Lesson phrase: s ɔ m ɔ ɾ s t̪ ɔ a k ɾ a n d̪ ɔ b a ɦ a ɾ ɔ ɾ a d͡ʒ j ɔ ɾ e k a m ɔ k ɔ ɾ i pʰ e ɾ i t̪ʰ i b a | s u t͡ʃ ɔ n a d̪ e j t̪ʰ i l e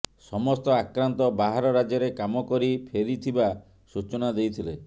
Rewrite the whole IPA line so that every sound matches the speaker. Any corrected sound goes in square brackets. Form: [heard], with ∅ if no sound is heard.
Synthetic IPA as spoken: s ɔ m ɔ [∅] s t̪ ɔ a k ɾ a n [t̪] ɔ b a ɦ a ɾ ɔ ɾ a d͡ʒ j ɔ ɾ e k a m ɔ k ɔ ɾ i pʰ e ɾ i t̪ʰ i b a | s u t͡ʃ ɔ n a d̪ e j t̪ʰ i l e